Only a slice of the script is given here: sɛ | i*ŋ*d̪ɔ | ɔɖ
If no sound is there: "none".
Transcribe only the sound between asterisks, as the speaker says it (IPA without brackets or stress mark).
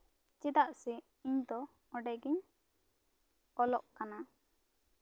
ɲ